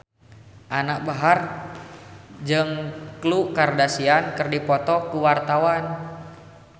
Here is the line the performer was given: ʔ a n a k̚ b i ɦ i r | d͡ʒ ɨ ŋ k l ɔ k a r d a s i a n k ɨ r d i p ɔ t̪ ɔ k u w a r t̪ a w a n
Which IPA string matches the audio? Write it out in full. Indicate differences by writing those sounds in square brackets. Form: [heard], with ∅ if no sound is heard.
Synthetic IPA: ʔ a n a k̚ b [a] ɦ [a] r | d͡ʒ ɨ ŋ k l [u] k a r d a s i a n k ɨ r d i p ɔ t̪ ɔ k u w a r t̪ a w a n